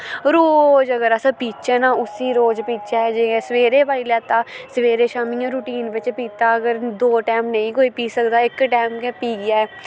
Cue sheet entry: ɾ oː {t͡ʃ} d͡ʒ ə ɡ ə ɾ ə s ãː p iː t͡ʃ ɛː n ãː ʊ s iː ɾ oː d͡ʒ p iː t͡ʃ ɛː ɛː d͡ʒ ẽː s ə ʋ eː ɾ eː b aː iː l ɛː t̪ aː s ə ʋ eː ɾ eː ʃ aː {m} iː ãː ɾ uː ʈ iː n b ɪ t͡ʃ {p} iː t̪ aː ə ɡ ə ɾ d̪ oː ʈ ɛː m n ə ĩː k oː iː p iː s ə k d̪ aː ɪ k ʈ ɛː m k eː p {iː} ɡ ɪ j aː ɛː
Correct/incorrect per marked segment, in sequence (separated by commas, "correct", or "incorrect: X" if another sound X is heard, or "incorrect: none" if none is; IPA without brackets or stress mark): incorrect: none, correct, correct, correct